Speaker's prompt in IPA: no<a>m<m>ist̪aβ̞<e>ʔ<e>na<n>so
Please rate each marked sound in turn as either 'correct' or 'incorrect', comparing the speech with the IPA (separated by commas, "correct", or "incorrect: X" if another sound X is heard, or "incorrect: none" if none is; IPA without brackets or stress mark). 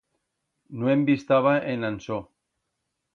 incorrect: e, incorrect: b, incorrect: a, correct, correct